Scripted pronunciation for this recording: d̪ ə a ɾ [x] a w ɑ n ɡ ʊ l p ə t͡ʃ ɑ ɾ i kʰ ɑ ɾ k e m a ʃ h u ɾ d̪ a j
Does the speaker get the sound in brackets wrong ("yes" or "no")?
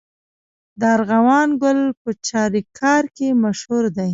yes